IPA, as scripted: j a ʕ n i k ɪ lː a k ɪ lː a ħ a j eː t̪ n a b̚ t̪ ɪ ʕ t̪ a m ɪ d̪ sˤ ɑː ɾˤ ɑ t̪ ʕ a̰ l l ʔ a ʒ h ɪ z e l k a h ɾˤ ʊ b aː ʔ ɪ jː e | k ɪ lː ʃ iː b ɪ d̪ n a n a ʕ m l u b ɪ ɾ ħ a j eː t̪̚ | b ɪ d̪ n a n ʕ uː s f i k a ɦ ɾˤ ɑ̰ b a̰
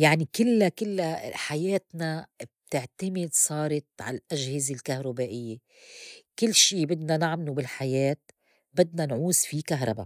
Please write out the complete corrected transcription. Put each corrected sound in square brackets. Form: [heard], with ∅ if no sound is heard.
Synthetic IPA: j a ʕ n i k ɪ lː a k ɪ lː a ħ a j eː t̪ n a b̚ t̪ ɪ ʕ t̪ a m ɪ d̪ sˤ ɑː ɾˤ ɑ t̪ ʕ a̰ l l ʔ a ʒ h ɪ z e l k a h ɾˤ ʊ b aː ʔ ɪ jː e | k ɪ lː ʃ iː b ɪ d̪ n a n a ʕ m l u b ɪ [l] ħ a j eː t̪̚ | b ɪ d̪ n a n ʕ uː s f i k a ɦ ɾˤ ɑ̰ b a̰

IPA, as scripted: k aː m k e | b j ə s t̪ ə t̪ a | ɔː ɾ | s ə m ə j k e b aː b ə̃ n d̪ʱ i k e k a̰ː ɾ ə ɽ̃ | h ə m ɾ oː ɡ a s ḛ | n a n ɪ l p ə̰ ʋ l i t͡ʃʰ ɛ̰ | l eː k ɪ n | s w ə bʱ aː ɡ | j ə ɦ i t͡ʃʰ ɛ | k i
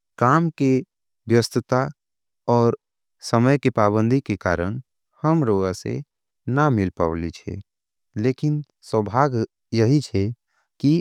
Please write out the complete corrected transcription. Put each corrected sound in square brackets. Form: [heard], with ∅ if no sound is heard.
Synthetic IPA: k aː m k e | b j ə s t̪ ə t̪ a | ɔː ɾ | s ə m ə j k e [p] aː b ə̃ n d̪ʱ i k e k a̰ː ɾ ə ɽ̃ | h ə m ɾ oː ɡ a s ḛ | n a [m] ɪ l p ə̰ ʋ l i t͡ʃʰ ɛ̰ | l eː k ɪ n | s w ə bʱ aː ɡ | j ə ɦ i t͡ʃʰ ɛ | k i

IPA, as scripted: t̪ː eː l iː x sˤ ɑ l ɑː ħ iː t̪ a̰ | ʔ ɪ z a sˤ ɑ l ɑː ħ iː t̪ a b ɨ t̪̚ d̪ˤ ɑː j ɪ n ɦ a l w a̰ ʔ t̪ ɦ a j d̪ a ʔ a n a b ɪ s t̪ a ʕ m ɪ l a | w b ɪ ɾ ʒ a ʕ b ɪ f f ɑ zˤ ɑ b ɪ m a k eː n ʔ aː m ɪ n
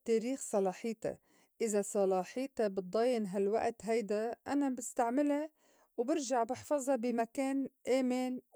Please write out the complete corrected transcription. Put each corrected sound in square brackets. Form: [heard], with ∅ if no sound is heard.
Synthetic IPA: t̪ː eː [ɾ] iː x sˤ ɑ l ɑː ħ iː t̪ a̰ | ʔ ɪ z a sˤ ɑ l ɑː ħ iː t̪ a b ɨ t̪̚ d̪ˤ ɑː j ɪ n ɦ a l w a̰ ʔ t̪ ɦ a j d̪ a ʔ a n a b ɪ s t̪ a ʕ m ɪ l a | w b ɪ ɾ ʒ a ʕ b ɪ [ħ] f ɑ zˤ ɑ b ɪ m a k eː n ʔ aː m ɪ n

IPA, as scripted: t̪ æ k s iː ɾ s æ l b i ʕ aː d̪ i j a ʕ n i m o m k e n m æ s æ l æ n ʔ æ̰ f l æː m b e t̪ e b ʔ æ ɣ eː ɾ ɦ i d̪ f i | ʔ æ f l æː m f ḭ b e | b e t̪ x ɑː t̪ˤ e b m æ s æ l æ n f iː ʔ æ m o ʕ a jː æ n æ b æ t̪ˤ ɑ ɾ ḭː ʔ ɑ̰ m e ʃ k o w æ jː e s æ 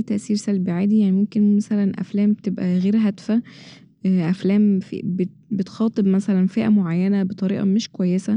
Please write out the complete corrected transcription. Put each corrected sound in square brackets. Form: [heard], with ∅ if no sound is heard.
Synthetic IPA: t̪ æ [ʔ] s iː ɾ s æ l b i ʕ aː d̪ i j a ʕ n i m o m k e n m æ s æ l æ n ʔ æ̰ f l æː m b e t̪ e b ʔ æ ɣ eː ɾ ɦ [æ] d̪ f [æ] | ʔ æ f l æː m f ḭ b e | b e t̪ x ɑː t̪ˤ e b m æ s æ l æ n f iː ʔ æ m o ʕ a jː æ n æ b [e] t̪ˤ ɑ ɾ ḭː ʔ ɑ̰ m e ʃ k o w æ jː e s æ

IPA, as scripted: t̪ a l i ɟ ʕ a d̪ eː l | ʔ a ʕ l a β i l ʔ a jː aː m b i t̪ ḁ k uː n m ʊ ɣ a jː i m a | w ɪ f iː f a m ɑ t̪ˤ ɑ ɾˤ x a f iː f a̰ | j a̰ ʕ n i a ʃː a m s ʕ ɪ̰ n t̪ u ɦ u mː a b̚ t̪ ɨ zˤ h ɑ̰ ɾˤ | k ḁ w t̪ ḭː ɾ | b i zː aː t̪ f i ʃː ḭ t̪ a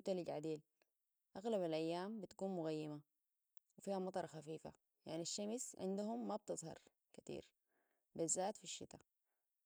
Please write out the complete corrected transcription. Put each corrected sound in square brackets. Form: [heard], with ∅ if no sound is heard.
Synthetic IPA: t̪ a l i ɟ ʕ a d̪ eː l | ʔ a [ɣ] l a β [a] l ʔ a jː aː m b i t̪ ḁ k uː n m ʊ ɣ a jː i m a | w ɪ f iː [h] a m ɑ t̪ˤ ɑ ɾˤ x a f iː f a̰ | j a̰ ʕ n i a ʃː a m s ʕ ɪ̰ n [d̪] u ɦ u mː a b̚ t̪ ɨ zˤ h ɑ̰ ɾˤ | k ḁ [∅] t̪ ḭː ɾ | b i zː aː t̪ f i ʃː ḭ t̪ a

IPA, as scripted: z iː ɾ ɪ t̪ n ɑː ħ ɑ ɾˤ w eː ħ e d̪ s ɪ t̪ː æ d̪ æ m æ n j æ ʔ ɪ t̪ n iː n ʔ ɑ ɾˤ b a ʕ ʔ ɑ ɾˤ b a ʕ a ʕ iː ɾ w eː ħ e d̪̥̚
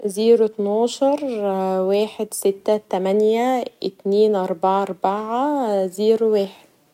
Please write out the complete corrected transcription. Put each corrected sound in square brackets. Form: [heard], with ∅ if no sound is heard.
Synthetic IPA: z iː ɾ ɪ t̪ n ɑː [ʃ] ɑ ɾˤ w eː ħ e d̪ s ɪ t̪ː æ [t̪] æ m æ n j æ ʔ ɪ t̪ n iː n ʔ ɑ ɾˤ b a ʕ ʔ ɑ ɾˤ b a ʕ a [z] iː ɾ w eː ħ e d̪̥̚

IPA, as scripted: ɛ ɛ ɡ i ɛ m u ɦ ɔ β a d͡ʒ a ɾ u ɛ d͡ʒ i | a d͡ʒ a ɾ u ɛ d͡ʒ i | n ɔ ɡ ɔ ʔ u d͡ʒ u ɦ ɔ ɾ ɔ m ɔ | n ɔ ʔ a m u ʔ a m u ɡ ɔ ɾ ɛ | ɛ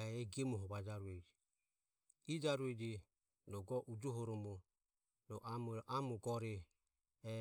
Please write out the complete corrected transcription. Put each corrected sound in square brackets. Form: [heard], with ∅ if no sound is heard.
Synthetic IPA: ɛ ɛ ɡ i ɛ m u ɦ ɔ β a d͡ʒ a ɾ u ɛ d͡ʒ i | [i] d͡ʒ a ɾ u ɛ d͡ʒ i | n ɔ ɡ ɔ ʔ u d͡ʒ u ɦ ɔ ɾ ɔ m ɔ | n ɔ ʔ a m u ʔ a m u ɡ ɔ ɾ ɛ | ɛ

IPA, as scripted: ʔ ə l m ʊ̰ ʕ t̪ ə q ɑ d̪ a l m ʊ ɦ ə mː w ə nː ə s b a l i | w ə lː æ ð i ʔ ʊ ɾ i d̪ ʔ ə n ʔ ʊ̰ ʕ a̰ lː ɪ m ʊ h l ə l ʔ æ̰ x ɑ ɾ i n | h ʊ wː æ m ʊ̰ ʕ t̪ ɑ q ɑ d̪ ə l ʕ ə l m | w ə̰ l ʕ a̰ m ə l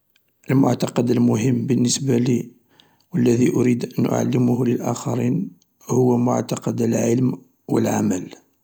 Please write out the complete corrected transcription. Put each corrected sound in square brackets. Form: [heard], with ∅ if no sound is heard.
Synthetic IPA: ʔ ə l m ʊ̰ ʕ t̪ [ɑ] q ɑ d̪ [ə] l m ʊ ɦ ə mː [b] ə nː ə s b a l i | w ə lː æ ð i ʔ ʊ ɾ i d̪ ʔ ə n ʔ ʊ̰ ʕ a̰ lː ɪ m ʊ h l ə l ʔ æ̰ x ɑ ɾ i n | h ʊ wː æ m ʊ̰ ʕ t̪ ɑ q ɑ d̪ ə l ʕ ə l m | w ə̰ l ʕ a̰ m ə l

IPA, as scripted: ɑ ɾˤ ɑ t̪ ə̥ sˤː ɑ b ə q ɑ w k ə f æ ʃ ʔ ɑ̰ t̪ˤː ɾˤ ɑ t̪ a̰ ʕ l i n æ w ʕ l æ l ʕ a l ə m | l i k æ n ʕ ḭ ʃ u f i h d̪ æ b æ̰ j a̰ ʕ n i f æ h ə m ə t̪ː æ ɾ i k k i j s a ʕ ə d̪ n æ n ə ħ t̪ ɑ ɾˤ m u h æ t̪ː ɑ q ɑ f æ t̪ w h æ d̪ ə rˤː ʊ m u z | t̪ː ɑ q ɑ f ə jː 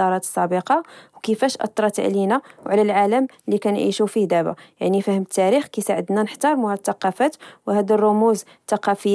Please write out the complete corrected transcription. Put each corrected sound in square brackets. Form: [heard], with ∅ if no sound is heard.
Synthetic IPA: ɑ ɾˤ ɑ t̪ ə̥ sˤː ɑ b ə q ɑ w k ə f æ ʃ ʔ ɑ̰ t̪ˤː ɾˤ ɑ t̪ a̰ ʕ l i n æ w ʕ l æ l ʕ a l ə m | l i k æ n ʕ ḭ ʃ u f i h d̪ æ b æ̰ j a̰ ʕ n i f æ h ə m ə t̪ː æ ɾ i [x] k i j s a ʕ ə d̪ n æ n ə ħ t̪ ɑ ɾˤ m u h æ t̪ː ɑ q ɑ f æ t̪ w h æ d̪ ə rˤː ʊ m u z | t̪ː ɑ q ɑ f ə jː

